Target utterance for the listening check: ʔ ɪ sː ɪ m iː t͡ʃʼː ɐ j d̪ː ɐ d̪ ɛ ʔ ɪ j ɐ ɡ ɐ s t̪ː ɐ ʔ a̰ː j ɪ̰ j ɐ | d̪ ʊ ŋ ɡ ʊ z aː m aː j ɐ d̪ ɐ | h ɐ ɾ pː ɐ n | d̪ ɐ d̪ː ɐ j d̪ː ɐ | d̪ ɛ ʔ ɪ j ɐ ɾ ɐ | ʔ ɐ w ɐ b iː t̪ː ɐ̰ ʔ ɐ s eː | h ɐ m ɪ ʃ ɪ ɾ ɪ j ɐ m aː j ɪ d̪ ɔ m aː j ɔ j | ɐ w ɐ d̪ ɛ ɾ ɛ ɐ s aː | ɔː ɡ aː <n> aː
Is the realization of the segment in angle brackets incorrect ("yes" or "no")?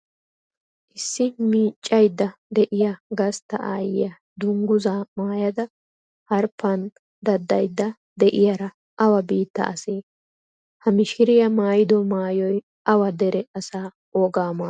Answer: yes